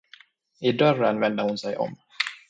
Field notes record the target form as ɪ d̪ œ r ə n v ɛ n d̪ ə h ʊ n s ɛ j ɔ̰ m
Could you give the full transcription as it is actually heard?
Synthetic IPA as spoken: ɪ d̪ œ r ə n v ɛ n d̪ ə h ʊ n s ɛ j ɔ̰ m

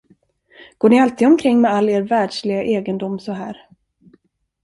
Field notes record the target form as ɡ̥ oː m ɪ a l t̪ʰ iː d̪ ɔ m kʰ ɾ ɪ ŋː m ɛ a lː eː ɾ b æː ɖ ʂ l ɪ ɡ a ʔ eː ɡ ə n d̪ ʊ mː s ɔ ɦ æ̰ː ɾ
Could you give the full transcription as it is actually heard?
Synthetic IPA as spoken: ɡ̥ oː ɳ ɪ a l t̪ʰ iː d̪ ɔ m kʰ ɾ ɪ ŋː m ɛ a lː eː ɾ v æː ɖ ʂ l ɪ ɡ a ʔ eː ɡ ə n d̪ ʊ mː s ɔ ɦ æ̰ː ɾ

